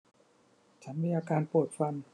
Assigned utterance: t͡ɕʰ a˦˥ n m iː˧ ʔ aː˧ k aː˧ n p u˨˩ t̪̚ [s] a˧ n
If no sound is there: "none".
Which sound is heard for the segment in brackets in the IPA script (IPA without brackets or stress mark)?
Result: f